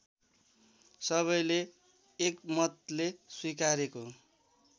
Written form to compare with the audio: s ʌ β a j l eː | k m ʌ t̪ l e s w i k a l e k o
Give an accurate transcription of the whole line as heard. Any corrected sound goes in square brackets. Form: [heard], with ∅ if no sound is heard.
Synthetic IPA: s ʌ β [ʌ] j l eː | k m ʌ t̪ l e s w i k a [ɾ] e k o